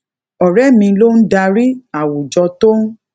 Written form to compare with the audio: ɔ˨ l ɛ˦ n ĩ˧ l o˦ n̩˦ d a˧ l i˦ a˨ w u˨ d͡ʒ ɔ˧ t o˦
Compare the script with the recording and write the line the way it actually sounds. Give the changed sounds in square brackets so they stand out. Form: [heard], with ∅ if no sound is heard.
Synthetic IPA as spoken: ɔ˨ [ɾ] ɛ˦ [m] ĩ˧ l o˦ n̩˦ d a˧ [ɾ] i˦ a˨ w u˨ d͡ʒ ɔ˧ t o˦